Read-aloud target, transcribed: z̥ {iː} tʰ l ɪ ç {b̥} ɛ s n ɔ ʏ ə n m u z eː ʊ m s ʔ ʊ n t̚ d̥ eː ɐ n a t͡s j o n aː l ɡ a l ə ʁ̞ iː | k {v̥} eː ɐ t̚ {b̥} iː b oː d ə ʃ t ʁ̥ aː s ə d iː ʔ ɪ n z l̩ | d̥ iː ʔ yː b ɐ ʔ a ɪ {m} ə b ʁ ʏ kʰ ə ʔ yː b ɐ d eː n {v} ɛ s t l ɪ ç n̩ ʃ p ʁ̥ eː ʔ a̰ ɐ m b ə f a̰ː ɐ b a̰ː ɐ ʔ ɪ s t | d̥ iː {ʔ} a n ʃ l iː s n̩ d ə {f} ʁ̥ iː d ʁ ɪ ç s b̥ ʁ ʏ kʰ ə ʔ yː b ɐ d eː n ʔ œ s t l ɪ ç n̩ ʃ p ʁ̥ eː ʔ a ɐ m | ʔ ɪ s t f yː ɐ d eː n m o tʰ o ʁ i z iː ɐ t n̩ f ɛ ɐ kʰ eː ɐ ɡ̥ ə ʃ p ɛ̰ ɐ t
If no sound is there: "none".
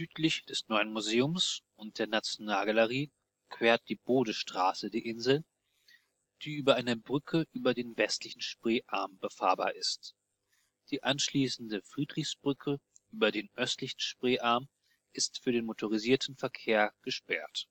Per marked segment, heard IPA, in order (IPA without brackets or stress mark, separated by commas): yː, d̥, v̥, d̥, n, v, ʔ, f